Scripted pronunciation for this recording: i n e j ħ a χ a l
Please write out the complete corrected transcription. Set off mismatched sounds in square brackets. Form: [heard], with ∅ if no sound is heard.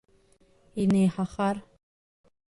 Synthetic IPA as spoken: i n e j ħ a χ a [r]